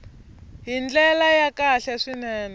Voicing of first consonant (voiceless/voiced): voiced